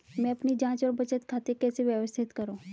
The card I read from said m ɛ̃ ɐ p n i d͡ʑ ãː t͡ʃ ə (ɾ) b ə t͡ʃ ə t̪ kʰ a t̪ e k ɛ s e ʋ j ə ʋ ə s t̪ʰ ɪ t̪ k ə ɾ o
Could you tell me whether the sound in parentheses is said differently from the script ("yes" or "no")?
no